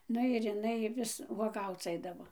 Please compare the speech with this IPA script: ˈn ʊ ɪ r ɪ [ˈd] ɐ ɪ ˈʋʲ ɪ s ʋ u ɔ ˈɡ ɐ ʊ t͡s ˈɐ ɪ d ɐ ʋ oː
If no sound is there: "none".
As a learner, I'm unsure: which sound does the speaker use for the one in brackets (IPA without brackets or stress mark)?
n